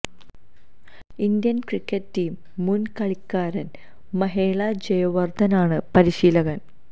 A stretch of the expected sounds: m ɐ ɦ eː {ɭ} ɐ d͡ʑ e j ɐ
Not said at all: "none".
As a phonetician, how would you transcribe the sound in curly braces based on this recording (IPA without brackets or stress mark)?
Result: ɭ